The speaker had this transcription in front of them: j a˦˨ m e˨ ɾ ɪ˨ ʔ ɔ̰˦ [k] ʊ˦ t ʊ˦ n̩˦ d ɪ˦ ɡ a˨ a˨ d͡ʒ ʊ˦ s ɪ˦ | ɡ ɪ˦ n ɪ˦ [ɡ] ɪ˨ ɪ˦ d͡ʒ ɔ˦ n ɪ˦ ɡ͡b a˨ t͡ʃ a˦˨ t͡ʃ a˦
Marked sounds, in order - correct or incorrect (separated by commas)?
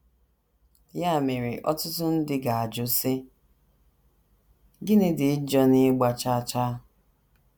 incorrect, incorrect